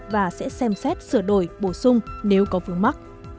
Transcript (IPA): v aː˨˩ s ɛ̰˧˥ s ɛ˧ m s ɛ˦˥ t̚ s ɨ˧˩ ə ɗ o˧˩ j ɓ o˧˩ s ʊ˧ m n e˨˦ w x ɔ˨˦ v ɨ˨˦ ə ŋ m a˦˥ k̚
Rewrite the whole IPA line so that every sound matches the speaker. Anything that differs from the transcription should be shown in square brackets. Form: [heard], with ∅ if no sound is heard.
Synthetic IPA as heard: v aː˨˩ s ɛ̰˧˥ s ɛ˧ m s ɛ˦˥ t̚ s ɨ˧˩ ə ɗ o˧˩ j ɓ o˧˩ s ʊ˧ [ŋ͡m] n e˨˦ w [k] ɔ˨˦ v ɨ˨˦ ə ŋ m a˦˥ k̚